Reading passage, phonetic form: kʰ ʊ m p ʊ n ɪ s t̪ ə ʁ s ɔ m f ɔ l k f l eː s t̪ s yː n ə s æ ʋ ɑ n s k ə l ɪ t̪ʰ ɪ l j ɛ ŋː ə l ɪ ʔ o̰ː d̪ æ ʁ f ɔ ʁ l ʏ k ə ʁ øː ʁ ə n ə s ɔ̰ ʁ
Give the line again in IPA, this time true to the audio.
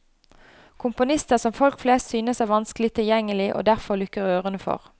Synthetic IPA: kʰ ʊ m p ʊ n ɪ s t̪ ə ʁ s ɔ m f ɔ l k f l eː s t̪ s yː n ə s æ ʋ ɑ n s k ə l ɪ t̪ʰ ɪ l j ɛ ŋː ə l ɪ ʔ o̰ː d̪ æ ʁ f ɔ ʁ l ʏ k ə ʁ øː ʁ ə n ə f ɔ̰ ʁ